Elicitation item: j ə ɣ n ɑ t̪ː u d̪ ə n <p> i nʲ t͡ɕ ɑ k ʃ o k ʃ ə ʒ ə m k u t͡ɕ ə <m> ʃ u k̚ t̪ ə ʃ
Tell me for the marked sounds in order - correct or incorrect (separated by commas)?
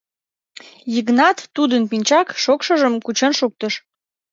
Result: correct, incorrect